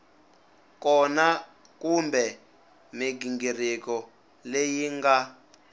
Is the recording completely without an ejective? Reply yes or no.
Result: yes